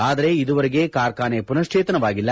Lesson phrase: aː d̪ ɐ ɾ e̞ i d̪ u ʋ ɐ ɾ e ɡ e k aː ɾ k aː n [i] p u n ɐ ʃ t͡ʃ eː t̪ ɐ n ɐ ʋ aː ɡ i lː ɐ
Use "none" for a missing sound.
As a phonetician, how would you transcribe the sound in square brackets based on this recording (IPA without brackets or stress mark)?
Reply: e